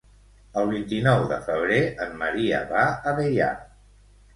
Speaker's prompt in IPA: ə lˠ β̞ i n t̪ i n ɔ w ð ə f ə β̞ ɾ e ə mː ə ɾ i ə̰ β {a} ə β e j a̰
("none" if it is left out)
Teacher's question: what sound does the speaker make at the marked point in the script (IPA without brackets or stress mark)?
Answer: a